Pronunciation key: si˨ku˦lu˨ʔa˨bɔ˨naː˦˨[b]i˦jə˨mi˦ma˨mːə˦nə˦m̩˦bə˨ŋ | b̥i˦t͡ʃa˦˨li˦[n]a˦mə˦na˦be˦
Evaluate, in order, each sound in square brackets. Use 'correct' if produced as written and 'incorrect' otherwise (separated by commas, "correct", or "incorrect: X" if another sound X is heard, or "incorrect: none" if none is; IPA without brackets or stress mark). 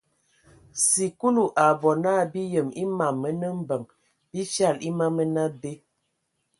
correct, incorrect: m